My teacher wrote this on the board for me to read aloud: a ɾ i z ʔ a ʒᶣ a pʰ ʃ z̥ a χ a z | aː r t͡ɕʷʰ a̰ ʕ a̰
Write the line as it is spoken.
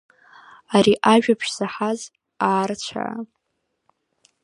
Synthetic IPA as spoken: a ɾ i ʔ a ʒᶣ a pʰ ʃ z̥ a ħ a z | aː r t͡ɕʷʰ a̰ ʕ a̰